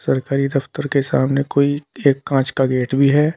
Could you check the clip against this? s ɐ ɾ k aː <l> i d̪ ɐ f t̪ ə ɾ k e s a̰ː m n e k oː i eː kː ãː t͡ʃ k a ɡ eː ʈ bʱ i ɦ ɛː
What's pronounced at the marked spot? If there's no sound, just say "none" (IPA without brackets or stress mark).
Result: ɾ